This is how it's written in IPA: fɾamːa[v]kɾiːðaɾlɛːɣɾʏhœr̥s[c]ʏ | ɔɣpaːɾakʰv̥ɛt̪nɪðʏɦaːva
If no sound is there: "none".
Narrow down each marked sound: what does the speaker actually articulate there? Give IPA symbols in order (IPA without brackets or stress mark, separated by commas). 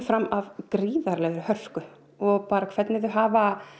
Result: v, k